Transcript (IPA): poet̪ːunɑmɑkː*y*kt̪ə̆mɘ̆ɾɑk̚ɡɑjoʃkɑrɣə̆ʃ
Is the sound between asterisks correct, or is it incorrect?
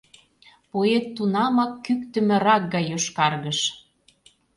correct